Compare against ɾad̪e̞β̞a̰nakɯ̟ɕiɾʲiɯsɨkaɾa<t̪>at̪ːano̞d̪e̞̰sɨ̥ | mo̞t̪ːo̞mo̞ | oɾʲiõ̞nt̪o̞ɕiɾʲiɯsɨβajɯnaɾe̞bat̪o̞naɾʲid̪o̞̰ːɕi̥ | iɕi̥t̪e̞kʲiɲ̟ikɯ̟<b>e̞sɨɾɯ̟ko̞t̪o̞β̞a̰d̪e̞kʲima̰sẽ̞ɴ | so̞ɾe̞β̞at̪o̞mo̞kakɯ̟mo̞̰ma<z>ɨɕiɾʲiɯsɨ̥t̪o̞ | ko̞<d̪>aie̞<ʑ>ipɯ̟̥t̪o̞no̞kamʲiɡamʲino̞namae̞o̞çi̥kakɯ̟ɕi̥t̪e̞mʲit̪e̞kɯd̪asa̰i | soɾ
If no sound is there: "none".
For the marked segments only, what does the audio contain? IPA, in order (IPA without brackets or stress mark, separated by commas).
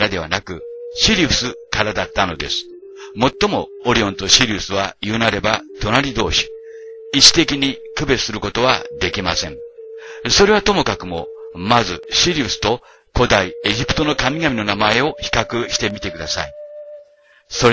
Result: d̪, b, z, d̪, ʑ